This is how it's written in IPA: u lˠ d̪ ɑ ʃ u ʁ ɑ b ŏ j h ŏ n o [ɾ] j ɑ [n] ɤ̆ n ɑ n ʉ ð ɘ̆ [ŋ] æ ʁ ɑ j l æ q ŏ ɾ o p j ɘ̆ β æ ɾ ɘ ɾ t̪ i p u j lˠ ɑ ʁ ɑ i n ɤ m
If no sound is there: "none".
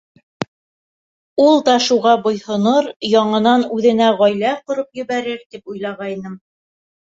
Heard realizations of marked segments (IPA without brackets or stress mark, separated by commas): ɾ, ɴ, n